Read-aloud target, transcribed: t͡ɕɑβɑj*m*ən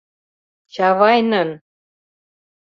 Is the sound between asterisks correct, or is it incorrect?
incorrect